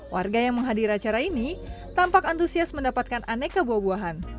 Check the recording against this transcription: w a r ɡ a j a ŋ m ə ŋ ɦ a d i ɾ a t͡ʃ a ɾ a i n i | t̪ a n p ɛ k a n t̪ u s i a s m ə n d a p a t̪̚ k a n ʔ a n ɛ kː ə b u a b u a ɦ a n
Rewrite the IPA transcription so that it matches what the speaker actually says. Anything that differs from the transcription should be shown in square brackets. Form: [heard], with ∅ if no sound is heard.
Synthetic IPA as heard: w a r ɡ a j a ŋ m ə ŋ ɦ a d i ɾ a t͡ʃ a ɾ a i n i | t̪ a [m] p [a] k a n t̪ u s i a s m ə n d a p a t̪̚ k a n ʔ a n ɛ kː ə b u a b u a ɦ a n

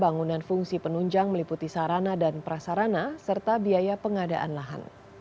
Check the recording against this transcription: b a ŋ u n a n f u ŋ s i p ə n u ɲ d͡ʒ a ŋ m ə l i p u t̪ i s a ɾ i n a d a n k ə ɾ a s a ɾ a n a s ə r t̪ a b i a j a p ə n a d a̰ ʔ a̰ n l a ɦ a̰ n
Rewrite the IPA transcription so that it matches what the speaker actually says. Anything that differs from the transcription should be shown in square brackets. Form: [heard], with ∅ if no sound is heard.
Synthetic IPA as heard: b a ŋ u n a n f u ŋ s i p ə n u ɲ d͡ʒ a ŋ m ə l i p u t̪ i s a ɾ [a] n a d a n [p] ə ɾ a s a ɾ a n a s ə r t̪ a b i a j a p ə [ŋ] a d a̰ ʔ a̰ n l a ɦ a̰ n

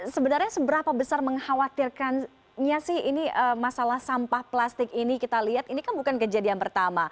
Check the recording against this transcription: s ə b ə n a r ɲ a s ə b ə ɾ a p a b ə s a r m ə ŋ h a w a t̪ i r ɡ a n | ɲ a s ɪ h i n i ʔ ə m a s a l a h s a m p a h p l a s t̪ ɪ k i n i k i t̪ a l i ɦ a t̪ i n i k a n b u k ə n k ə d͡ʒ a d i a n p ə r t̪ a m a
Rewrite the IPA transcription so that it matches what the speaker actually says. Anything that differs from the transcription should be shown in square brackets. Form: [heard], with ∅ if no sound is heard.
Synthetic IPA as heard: s ə b ə n a r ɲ a s ə b ə ɾ a p a b ə s a r m ə ŋ h a w a t̪ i r [k] a n | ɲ a s ɪ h i n i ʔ ə m a s a l a h s a m p a h p l a s t̪ ɪ k i n i k i t̪ a l i ɦ a t̪ i n i k a n b u k [a] n k ə d͡ʒ a d i a n p ə r t̪ a m a

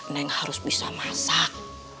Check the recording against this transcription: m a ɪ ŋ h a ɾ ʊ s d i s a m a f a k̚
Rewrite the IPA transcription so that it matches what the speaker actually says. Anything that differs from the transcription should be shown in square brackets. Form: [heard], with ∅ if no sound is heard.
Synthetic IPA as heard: [n] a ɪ ŋ h a ɾ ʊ s [b] i s a m a [s] a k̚

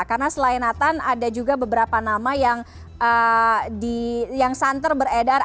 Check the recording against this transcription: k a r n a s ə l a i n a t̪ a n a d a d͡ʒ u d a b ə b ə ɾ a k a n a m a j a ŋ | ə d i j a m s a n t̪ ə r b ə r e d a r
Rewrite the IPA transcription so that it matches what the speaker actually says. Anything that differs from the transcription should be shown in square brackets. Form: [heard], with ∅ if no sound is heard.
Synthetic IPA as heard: k a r n a s ə l a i n a t̪ a n a d a d͡ʒ u [ɡ] a b ə b ə ɾ a [p] a n a m a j a ŋ | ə d i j a [ŋ] s a n t̪ ə r b ə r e d a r

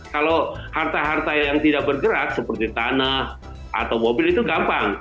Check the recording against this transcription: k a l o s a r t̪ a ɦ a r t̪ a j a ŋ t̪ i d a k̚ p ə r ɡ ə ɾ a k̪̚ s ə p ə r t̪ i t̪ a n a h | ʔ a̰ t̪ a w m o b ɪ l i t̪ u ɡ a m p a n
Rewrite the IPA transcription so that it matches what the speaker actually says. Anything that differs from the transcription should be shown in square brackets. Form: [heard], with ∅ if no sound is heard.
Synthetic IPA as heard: k a l o [h] a r t̪ a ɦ a r t̪ a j a ŋ t̪ i d a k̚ [b] ə r ɡ ə ɾ a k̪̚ s ə p ə r t̪ i t̪ a n a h | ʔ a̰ t̪ a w m o b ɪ l i t̪ u ɡ a m p a [ŋ]

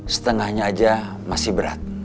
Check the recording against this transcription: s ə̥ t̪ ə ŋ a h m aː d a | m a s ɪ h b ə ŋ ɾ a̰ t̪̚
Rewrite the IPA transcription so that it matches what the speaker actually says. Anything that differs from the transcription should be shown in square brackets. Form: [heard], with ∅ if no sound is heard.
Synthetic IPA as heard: s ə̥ t̪ ə ŋ a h [ɲ] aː [d͡ʒ] a | m a s ɪ h b ə [∅] ɾ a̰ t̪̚

